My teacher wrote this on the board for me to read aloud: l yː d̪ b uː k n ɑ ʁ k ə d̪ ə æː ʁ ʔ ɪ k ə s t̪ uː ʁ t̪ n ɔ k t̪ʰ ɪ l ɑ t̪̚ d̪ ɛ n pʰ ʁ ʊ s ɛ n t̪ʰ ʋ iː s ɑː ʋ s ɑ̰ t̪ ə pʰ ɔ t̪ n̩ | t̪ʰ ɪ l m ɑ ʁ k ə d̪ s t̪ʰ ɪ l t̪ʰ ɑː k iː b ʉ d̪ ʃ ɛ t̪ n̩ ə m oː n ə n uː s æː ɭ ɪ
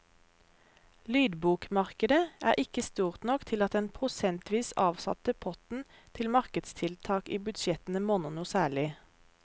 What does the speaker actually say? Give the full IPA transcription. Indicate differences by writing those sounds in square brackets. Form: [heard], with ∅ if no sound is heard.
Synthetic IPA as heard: l yː d̪ b uː k [m] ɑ ʁ k ə d̪ ə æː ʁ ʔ ɪ k ə s t̪ uː ʁ t̪ n ɔ k t̪ʰ ɪ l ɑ t̪̚ d̪ ɛ n pʰ ʁ ʊ s ɛ n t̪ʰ ʋ iː s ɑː ʋ s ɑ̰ t̪ ə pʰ ɔ t̪ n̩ | t̪ʰ ɪ l m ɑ ʁ k ə d̪ s t̪ʰ ɪ l t̪ʰ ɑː k iː b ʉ d̪ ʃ ɛ t̪ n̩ ə m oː n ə n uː s æː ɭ ɪ